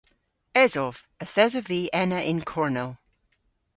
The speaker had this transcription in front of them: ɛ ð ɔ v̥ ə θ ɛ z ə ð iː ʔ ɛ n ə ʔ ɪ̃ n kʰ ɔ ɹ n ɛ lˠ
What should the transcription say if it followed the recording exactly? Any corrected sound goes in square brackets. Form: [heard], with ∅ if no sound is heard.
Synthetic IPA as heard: ɛ [z] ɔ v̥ ə θ ɛ z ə [v] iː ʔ ɛ n ə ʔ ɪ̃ n kʰ ɔ ɹ n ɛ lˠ